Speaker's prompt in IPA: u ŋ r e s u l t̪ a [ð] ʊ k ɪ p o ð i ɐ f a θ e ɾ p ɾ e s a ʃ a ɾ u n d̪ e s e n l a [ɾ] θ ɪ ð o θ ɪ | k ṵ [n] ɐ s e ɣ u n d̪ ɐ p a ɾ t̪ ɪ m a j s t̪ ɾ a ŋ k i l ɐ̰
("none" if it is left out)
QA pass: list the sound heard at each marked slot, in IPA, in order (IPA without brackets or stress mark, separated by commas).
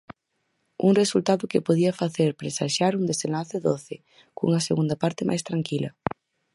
ð, none, ŋ